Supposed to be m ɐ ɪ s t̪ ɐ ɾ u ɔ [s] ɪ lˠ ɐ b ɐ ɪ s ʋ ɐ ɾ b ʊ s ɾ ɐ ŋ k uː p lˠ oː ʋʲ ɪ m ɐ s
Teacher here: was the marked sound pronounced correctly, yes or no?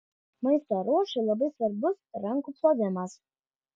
no